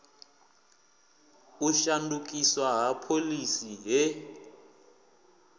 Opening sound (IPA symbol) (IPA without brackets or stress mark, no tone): u